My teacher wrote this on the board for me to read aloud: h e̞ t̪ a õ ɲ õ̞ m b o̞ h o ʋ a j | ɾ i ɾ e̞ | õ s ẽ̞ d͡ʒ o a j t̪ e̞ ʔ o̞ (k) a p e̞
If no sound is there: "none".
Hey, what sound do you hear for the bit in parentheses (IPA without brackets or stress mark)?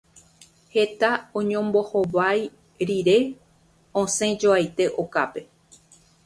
k